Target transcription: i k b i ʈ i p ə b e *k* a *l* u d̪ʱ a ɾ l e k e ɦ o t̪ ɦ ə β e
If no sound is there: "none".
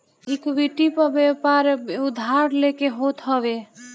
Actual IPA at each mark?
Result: p, ɾ

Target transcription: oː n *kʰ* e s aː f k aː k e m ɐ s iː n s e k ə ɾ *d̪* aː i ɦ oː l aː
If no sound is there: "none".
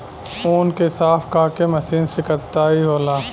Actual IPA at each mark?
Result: k, t̪

